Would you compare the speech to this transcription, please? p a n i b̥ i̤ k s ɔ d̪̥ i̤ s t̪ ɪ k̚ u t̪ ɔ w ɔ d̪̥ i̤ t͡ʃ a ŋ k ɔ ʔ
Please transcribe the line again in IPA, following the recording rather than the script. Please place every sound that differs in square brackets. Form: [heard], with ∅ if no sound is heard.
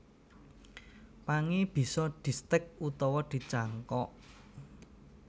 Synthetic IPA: p a [ŋ] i b̥ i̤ [∅] s ɔ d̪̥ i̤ s t̪ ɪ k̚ u t̪ ɔ w ɔ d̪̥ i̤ t͡ʃ a ŋ k ɔ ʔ